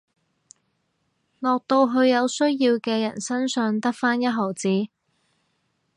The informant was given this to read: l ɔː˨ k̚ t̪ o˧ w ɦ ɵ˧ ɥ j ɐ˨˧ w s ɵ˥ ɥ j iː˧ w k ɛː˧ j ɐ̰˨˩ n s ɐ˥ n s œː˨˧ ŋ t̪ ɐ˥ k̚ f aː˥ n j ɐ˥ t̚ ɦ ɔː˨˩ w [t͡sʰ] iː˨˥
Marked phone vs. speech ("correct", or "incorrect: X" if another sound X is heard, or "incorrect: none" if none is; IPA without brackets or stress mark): incorrect: t͡s